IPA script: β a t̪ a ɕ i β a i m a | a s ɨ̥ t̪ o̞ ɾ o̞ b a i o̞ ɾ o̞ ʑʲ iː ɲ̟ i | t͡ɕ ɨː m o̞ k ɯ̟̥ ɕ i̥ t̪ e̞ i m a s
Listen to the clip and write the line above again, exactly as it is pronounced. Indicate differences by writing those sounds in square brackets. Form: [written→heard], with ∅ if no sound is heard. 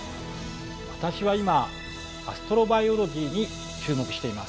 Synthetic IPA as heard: β a t̪ a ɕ i β a i m a | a s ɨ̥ t̪ o̞ ɾ o̞ b a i o̞ ɾ o̞ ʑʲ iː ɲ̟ i | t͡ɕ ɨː m o̞ k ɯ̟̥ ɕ i̥ t̪ e̞ i m a s